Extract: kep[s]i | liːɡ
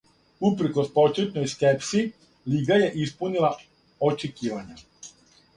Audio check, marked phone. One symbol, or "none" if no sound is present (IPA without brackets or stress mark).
s